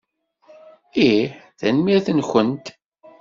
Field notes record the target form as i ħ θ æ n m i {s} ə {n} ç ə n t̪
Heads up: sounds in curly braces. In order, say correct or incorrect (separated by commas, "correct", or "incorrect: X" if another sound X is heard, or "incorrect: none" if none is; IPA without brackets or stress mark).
incorrect: θ, correct